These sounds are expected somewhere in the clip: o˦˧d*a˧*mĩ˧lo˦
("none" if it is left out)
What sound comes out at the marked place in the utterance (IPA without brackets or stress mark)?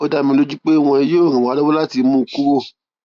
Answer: a˧